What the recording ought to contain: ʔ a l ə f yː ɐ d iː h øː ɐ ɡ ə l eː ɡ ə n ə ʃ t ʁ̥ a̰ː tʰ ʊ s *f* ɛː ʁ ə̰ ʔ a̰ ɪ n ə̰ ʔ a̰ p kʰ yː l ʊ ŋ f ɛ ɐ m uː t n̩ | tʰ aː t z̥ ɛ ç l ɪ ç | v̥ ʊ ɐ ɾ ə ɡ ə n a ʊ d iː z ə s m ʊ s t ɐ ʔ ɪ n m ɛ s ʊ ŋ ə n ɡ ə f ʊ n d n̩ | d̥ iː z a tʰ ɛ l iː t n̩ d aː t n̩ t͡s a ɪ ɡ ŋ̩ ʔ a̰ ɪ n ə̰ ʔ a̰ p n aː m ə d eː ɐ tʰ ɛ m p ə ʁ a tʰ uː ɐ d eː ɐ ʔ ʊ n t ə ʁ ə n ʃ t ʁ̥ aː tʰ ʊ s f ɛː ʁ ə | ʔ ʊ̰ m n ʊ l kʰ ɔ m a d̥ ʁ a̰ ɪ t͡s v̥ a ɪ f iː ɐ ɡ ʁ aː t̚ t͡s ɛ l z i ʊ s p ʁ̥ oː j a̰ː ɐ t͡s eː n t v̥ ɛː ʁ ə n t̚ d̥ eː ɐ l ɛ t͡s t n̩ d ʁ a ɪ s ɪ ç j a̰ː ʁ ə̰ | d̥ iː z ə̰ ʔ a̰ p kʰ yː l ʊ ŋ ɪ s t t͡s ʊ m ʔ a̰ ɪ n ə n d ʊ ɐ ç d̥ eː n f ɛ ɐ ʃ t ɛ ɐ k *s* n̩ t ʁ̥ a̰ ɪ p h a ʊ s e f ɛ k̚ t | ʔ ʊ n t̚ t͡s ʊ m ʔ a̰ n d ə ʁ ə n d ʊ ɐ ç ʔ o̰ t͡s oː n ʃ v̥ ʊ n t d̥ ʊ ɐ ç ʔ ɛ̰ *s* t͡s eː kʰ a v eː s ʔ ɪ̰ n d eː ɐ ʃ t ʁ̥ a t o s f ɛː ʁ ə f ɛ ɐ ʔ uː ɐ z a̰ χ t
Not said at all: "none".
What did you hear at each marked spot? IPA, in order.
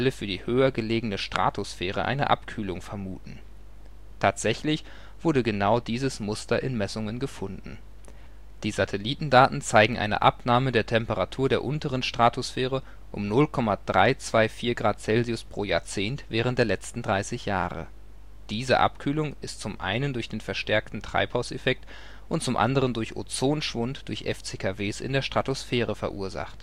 f, t, f

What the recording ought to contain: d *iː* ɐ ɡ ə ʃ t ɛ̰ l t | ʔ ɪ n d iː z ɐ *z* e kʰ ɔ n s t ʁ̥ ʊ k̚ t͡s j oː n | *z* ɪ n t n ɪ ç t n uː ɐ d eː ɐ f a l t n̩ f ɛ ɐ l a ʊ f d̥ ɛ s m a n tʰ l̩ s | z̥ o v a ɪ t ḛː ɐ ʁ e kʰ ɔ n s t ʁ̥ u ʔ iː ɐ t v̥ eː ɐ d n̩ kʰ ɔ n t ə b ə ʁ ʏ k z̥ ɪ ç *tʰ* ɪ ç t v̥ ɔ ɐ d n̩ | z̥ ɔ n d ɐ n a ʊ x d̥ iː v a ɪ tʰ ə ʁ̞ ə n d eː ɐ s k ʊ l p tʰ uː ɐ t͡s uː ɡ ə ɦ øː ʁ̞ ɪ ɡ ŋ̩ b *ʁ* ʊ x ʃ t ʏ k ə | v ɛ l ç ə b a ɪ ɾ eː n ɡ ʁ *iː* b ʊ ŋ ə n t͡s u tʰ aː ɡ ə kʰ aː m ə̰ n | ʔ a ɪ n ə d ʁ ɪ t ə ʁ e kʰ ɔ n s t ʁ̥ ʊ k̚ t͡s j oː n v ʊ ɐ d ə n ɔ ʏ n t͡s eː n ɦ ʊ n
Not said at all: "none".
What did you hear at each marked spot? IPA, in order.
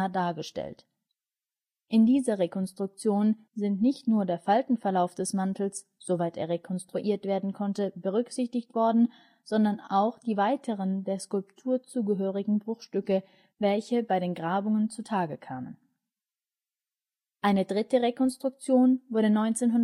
aː, ʁ, z, t, ʁ, aː

